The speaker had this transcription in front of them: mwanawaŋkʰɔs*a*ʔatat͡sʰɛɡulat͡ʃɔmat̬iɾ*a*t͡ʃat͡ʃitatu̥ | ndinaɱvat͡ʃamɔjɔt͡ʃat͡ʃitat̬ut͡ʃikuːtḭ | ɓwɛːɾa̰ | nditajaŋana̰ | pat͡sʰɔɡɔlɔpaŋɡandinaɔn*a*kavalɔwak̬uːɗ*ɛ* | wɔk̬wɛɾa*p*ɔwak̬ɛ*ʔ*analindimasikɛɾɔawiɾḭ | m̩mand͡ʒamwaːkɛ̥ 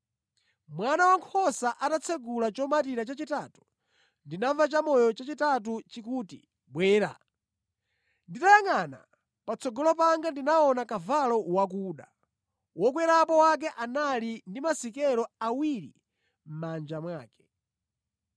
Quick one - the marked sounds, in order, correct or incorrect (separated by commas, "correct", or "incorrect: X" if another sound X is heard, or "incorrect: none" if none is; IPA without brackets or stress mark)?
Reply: correct, correct, correct, incorrect: a, correct, correct